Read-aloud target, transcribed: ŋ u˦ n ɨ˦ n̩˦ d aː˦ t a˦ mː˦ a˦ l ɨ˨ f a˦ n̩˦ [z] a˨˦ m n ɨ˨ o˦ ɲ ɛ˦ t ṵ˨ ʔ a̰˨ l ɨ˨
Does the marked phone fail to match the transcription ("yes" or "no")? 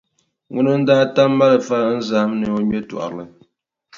no